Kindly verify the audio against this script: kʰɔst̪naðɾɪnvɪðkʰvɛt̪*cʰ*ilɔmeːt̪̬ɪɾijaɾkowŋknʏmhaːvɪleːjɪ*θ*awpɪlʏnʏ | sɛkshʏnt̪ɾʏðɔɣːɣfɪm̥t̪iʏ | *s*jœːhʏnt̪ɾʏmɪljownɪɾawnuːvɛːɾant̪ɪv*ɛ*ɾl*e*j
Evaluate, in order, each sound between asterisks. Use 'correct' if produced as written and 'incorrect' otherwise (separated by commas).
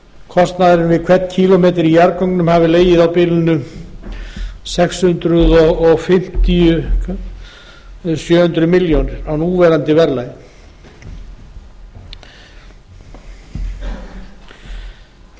correct, incorrect, correct, correct, incorrect